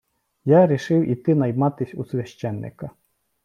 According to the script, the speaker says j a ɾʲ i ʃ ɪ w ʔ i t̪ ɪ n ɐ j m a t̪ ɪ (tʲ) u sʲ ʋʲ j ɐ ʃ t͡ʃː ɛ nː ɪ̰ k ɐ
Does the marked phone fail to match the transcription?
yes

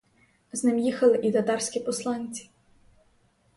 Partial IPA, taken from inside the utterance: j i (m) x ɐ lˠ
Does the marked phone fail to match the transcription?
yes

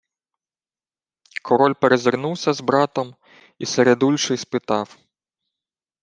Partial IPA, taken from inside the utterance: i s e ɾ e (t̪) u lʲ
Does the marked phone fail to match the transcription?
yes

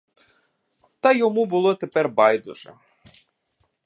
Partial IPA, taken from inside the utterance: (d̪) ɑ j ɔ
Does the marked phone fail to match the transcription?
yes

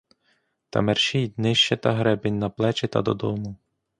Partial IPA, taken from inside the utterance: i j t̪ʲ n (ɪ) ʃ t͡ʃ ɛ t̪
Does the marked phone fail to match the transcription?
no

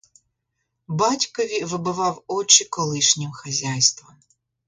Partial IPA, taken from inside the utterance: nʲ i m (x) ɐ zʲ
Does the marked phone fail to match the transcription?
no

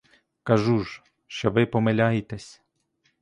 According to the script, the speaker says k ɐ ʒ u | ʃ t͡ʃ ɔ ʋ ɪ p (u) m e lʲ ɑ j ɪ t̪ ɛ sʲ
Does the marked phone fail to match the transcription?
yes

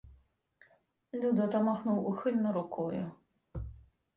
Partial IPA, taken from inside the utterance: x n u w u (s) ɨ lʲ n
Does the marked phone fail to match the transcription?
yes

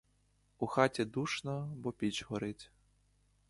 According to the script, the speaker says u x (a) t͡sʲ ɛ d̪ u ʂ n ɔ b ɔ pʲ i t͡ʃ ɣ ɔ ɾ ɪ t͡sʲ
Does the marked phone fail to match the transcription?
no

